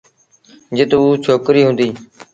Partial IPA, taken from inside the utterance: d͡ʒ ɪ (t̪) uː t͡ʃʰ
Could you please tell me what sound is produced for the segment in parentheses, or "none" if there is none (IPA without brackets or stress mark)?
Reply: t̪